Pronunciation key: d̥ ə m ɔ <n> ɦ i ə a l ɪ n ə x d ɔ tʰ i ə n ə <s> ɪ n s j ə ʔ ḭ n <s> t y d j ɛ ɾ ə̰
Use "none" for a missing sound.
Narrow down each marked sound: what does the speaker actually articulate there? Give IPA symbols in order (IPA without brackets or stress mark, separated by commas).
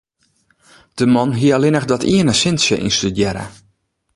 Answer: n, s, s